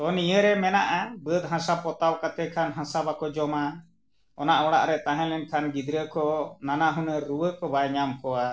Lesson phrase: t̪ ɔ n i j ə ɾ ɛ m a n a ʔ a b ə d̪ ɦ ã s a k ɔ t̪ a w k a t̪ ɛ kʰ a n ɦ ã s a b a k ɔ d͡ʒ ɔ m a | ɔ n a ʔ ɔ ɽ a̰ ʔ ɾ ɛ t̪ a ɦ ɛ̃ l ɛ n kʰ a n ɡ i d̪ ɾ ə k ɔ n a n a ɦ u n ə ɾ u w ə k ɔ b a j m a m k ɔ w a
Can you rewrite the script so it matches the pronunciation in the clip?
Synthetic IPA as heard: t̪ ɔ n i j ə ɾ ɛ m ɛ n a ʔ a b ə d̪ ɦ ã s a p ɔ t̪ a w k a t̪ ɛ kʰ a n ɦ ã s a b a k ɔ d͡ʒ ɔ m a | ɔ n a ʔ ɔ ɽ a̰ ʔ ɾ ɛ t̪ a ɦ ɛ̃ l ɛ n kʰ a n ɡ i d̪ ɾ ə k ɔ n a n a ɦ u n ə ɾ u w ə k ɔ b a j ɲ a m k ɔ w a